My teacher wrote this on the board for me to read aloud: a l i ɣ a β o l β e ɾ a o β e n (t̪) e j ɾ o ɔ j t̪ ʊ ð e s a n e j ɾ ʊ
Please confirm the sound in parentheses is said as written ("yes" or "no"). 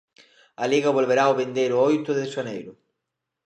no